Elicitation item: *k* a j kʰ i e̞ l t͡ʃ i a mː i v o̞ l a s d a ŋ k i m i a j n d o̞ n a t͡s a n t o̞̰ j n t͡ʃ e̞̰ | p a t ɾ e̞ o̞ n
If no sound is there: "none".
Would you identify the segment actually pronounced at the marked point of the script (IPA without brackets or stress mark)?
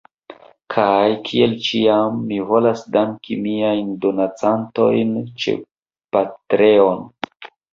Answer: kʰ